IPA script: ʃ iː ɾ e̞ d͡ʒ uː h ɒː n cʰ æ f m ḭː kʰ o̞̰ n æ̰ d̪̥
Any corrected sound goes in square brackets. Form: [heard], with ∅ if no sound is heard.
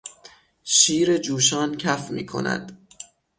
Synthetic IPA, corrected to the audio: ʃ iː ɾ e̞ d͡ʒ uː [ʃ] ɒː n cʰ æ f m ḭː kʰ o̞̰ n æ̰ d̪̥